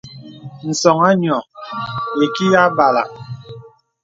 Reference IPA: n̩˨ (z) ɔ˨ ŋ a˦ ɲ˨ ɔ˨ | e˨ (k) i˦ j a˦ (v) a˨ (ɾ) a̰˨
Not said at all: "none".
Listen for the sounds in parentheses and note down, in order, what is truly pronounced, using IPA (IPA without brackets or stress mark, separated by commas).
s, k, b, l